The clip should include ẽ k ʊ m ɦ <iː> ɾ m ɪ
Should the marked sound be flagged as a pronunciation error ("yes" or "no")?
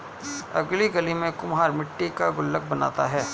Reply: yes